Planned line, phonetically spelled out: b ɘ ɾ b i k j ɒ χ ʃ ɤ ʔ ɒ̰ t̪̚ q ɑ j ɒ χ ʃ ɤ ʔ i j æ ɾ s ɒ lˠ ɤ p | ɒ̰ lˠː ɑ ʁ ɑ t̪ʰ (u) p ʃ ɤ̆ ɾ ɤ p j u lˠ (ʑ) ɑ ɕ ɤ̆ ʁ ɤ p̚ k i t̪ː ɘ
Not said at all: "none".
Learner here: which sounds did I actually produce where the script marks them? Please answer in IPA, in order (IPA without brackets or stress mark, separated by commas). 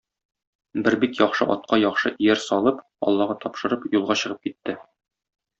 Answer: ɒ, ʁ